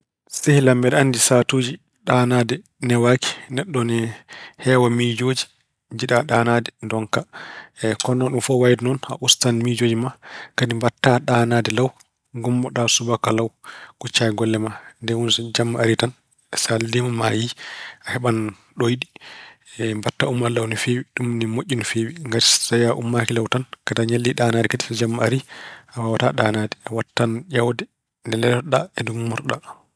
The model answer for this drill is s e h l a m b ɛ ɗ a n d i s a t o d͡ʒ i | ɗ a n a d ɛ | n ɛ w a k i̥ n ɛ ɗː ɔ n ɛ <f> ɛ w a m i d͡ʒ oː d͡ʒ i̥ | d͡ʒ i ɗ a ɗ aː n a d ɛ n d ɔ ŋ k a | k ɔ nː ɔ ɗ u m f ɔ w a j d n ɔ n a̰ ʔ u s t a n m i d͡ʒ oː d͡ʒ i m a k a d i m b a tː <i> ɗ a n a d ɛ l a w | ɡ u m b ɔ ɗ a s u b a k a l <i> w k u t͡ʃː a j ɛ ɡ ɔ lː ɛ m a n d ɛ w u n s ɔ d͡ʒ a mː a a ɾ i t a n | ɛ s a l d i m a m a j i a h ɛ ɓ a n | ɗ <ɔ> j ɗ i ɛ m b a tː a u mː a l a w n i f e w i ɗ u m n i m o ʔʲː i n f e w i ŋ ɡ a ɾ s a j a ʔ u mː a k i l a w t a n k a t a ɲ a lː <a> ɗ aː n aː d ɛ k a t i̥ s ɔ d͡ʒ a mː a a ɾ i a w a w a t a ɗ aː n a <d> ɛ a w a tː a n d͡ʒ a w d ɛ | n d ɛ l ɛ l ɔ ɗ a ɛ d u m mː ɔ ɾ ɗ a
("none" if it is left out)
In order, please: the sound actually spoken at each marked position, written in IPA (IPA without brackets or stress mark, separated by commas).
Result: h, a, a, o, i, d